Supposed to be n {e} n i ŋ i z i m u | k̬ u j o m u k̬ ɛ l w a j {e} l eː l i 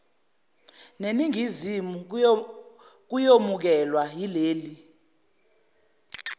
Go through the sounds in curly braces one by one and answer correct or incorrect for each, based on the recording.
correct, incorrect: i

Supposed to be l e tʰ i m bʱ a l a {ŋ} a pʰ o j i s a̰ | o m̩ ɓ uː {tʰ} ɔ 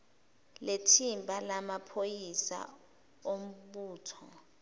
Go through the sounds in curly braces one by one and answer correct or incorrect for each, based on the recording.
incorrect: m, correct

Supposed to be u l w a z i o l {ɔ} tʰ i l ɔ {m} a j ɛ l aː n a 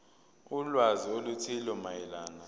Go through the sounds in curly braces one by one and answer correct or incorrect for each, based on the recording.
incorrect: u, correct

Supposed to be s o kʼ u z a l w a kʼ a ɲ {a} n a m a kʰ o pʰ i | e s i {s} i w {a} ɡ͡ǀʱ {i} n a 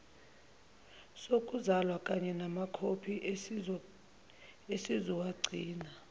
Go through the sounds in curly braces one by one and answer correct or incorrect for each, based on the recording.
incorrect: ɛ, incorrect: z, correct, incorrect: iː

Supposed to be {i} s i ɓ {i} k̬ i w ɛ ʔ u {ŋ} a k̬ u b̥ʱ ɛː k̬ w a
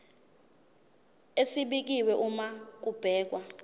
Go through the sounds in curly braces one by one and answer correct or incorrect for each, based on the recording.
incorrect: e, correct, incorrect: m

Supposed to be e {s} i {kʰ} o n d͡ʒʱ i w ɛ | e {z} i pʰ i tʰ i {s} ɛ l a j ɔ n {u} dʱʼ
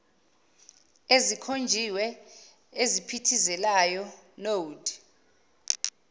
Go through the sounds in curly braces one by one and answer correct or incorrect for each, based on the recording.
incorrect: z, correct, correct, incorrect: z, incorrect: o

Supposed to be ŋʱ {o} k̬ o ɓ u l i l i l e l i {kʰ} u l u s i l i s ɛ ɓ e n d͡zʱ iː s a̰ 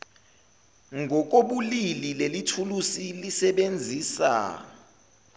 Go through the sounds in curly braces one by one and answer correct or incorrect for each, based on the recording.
incorrect: ɔ, incorrect: tʰ

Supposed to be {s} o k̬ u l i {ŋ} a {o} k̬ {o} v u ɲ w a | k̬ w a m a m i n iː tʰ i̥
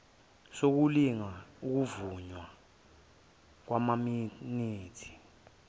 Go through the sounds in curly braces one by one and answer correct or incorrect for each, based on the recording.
correct, correct, incorrect: u, incorrect: u

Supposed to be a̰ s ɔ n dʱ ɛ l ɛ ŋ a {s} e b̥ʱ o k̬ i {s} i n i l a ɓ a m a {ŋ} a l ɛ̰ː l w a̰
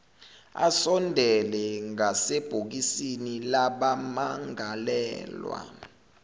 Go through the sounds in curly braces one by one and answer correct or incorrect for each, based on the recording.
correct, correct, correct

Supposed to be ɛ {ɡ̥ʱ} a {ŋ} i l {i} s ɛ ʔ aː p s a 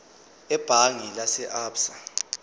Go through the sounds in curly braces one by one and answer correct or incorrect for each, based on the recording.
incorrect: b̥ʱ, correct, incorrect: a

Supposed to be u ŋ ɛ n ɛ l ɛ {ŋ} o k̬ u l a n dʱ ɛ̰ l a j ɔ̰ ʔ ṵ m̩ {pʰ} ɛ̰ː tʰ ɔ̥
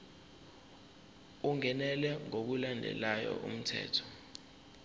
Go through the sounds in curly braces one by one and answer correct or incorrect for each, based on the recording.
correct, incorrect: tʰ

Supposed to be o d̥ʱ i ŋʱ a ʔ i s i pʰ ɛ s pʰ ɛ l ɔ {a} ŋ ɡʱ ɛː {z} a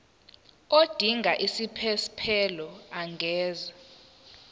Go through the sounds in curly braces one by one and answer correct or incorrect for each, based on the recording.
correct, correct

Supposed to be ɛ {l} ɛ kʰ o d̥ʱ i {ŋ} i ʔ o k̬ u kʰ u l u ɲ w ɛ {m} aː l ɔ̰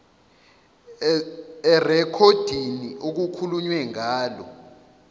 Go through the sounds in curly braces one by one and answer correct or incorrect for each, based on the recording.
incorrect: r, incorrect: n, incorrect: ŋ

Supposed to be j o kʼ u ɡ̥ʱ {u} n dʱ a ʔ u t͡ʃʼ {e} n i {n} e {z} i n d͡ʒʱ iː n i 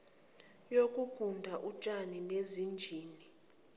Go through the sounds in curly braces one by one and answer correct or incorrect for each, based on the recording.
correct, incorrect: a, correct, correct

